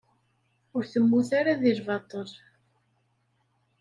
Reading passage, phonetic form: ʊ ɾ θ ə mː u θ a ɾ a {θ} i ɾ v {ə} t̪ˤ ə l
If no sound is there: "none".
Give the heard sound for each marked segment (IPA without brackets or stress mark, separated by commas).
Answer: ð, ɑ